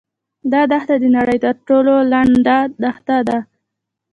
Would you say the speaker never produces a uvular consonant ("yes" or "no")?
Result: yes